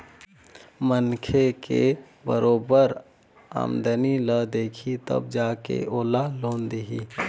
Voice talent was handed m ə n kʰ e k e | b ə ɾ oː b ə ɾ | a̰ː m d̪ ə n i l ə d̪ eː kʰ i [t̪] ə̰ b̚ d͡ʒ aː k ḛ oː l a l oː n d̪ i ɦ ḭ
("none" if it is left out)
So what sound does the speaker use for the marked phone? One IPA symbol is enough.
t̪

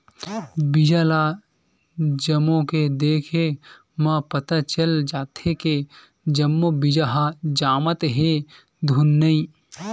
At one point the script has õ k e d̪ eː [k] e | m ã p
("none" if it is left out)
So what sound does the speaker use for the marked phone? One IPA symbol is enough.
kʰ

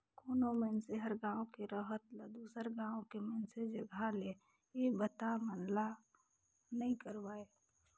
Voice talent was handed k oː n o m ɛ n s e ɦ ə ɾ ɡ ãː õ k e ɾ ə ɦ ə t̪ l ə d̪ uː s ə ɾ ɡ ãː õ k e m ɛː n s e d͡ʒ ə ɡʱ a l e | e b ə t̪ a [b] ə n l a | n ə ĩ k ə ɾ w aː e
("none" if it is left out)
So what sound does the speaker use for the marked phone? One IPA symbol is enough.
m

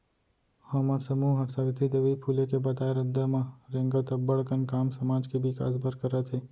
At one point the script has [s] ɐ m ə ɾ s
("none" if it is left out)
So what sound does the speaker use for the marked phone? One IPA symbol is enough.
h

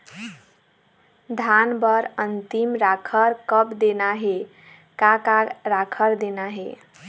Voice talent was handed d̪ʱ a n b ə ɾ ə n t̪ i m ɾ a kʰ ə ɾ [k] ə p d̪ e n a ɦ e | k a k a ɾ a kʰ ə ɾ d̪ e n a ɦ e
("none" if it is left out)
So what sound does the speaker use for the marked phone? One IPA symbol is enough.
k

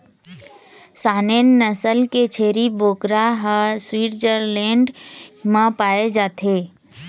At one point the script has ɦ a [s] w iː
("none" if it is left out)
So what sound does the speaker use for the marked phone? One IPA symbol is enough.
s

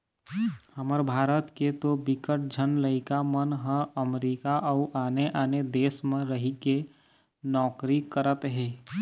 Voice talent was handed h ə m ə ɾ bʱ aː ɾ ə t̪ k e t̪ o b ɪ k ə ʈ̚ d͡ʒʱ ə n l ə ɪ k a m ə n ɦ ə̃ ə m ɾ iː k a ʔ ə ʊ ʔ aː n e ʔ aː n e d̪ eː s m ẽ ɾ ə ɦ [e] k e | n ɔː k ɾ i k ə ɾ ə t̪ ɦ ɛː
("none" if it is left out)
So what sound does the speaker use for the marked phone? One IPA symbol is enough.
i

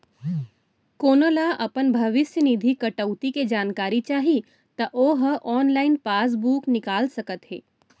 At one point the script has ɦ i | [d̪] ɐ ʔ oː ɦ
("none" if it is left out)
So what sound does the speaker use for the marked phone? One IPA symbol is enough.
t̪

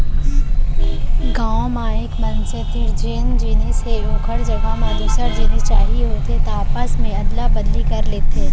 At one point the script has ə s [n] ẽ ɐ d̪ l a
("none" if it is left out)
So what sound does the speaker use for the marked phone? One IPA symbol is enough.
m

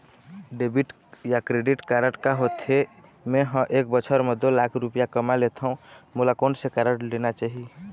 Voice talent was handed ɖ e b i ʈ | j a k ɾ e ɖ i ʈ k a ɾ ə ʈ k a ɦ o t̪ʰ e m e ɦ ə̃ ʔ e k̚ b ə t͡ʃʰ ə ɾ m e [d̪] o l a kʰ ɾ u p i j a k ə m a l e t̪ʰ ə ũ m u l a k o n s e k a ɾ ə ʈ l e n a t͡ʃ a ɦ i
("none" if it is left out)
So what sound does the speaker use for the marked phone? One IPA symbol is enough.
d̪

